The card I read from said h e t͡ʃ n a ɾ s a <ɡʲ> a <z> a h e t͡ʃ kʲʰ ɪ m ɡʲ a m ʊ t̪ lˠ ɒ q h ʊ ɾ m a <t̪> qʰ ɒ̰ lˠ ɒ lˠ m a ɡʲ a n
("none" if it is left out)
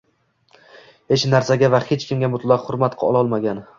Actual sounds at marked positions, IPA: ɡʲ, v, t̪

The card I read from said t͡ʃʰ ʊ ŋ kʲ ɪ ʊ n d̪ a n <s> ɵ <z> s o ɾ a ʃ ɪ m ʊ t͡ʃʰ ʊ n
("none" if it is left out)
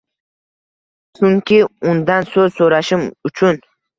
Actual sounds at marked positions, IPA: s, z

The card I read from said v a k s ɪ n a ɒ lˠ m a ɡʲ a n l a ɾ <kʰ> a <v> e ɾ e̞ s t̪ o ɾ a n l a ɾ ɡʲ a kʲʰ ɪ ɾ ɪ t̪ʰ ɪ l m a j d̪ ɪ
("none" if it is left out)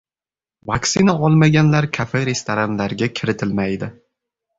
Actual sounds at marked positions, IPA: kʰ, f

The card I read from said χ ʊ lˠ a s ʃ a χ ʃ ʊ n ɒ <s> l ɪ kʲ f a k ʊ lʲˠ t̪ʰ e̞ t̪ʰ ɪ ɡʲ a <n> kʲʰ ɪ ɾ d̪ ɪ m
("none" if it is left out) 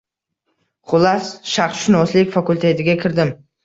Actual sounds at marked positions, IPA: s, none

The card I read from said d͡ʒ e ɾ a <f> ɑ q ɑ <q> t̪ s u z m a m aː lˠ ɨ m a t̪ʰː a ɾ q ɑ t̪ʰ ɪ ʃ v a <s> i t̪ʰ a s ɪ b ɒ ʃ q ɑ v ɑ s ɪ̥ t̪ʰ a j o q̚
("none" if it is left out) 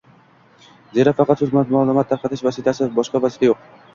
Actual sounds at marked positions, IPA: f, none, s

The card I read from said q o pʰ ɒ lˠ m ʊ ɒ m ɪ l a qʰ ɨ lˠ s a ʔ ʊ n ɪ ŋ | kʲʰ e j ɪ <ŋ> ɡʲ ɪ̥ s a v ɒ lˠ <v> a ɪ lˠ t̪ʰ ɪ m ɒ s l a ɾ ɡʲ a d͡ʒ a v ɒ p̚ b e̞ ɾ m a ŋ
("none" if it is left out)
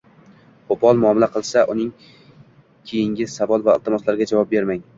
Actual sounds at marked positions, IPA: ŋ, v

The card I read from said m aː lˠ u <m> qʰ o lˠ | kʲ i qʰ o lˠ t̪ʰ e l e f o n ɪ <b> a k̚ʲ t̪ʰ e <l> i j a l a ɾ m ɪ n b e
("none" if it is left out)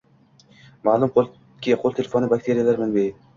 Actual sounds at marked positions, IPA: m, b, ɾ

